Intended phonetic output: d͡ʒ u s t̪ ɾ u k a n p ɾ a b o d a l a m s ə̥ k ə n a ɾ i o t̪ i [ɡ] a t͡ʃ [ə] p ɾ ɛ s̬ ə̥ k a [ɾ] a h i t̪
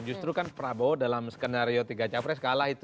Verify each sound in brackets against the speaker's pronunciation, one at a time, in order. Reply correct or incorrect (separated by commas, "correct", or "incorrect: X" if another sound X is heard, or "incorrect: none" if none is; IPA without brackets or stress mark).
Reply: correct, incorrect: a, incorrect: l